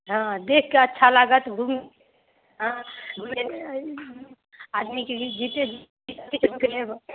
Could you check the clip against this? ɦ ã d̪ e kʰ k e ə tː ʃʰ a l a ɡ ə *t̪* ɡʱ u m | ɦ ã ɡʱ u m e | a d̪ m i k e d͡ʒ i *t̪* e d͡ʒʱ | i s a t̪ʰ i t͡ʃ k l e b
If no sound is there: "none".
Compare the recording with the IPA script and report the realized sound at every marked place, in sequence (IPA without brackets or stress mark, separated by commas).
t̪, t̪